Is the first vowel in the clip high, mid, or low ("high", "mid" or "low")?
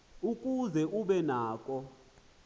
high